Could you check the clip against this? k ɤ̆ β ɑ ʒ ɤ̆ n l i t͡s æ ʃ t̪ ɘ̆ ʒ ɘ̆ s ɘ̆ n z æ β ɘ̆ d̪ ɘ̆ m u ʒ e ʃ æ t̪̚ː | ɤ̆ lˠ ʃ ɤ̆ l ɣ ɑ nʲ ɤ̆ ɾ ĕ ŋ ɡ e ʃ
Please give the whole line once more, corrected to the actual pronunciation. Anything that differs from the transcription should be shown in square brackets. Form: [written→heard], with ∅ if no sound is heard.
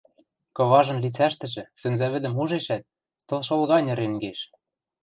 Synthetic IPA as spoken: k ɤ̆ β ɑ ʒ ɤ̆ n l i t͡s æ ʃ t̪ ɘ̆ ʒ ɘ̆ s ɘ̆ n z æ β ɘ̆ d̪ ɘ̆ m u ʒ e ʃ æ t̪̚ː | ɤ̆ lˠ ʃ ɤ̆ l ɣ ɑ nʲ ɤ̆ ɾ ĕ ŋ ɡ e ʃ